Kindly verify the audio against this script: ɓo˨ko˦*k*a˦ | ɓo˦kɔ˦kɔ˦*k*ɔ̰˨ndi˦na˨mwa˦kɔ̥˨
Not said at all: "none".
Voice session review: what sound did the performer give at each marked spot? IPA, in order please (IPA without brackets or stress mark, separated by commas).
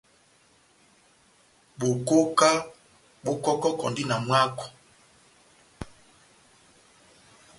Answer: k, k